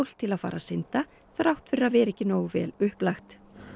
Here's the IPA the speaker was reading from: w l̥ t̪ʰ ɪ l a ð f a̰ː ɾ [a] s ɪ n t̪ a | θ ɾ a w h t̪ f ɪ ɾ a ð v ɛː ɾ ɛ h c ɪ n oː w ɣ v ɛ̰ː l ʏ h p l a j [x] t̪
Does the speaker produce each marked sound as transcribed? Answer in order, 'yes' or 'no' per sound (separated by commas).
yes, yes